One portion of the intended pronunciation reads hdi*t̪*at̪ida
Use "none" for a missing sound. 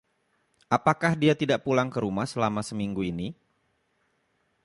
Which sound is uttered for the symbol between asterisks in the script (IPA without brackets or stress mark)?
none